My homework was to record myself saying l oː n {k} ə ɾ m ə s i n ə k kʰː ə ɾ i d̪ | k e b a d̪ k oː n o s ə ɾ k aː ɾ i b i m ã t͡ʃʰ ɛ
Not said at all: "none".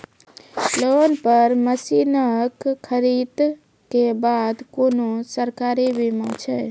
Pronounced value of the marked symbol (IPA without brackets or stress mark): p